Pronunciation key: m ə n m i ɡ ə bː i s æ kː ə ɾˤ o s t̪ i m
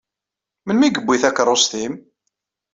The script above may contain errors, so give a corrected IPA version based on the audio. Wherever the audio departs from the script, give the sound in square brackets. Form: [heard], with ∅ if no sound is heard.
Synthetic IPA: m ə n m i ɡ ə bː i [θ] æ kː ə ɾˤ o s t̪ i m